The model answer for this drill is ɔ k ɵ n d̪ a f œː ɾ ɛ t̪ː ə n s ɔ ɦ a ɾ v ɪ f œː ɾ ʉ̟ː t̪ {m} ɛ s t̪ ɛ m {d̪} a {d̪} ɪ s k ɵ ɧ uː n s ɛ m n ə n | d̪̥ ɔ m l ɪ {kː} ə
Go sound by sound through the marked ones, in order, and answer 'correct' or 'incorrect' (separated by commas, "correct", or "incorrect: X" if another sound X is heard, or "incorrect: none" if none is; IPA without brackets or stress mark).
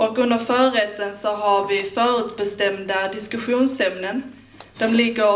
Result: incorrect: b, correct, correct, incorrect: ɡː